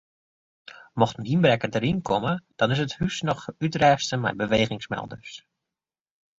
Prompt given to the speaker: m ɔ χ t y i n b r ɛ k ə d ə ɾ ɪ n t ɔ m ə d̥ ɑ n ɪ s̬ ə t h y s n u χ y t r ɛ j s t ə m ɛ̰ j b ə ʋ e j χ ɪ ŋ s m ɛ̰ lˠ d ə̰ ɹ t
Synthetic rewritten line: m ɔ χ t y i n b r ɛ k ə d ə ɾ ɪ n k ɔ m ə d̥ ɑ n ɪ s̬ ə t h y s n ɔ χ y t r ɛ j s t ə m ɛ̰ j b ə ʋ e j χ ɪ ŋ s m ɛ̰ lˠ d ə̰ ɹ s